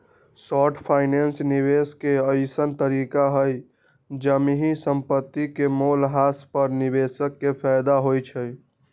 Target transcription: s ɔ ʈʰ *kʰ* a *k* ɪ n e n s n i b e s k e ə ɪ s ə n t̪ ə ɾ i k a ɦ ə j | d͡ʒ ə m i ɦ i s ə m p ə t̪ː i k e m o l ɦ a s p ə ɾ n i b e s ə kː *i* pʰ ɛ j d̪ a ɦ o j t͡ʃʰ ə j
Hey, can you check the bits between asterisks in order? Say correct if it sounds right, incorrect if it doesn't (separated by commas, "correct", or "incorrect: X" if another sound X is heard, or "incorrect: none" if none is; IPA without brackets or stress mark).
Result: incorrect: pʰ, incorrect: none, incorrect: e